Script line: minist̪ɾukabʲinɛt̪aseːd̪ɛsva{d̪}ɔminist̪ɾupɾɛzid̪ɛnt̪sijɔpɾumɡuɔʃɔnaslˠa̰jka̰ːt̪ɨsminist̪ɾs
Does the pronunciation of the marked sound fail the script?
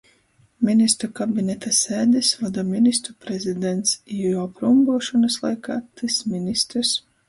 no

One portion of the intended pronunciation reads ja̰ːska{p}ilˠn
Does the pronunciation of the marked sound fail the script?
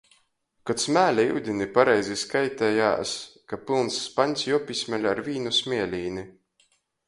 no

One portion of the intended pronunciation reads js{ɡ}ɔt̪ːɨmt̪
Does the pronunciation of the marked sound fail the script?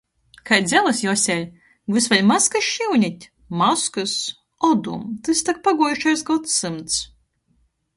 no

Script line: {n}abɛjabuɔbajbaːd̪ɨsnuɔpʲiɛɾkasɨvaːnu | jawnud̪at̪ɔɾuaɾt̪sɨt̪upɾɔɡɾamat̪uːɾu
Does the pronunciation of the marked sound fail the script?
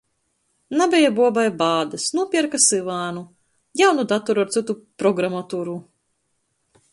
no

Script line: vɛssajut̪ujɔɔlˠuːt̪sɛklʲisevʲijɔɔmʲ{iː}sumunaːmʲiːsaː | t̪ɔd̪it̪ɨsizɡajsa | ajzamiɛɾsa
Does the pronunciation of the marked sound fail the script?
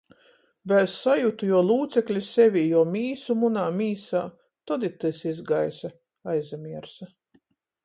no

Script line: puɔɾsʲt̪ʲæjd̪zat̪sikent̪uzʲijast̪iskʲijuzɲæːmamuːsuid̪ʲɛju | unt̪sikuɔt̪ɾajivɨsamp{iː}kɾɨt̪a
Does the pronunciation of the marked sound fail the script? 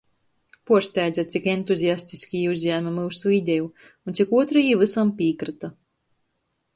no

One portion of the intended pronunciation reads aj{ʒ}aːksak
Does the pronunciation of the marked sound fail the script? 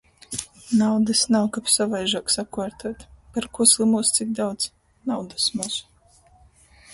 no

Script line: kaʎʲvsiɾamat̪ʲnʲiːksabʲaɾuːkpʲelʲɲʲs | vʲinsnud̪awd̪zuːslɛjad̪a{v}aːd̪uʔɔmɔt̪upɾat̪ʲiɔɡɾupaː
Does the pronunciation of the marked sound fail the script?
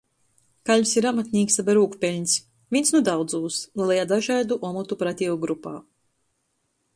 yes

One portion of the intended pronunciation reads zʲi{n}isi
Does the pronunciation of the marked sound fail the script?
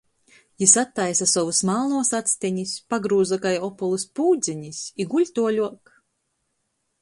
yes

